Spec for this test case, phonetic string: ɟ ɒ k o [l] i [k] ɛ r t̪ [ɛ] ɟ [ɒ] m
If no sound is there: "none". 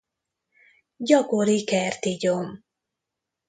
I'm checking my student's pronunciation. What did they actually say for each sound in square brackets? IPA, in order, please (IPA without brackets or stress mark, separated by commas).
ɾ, k, i, o